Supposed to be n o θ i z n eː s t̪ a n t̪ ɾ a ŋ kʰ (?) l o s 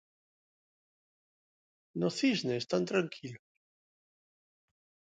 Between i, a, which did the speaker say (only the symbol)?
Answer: i